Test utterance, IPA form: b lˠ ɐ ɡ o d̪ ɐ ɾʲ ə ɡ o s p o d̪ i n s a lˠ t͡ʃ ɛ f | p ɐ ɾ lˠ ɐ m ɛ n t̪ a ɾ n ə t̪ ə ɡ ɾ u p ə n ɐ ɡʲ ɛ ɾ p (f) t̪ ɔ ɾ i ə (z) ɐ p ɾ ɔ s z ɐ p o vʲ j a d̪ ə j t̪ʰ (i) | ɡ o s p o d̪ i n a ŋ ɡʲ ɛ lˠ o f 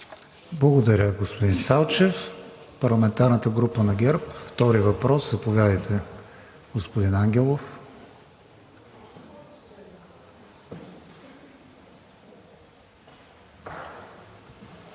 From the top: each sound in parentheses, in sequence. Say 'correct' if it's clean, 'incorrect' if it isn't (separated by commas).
correct, incorrect, incorrect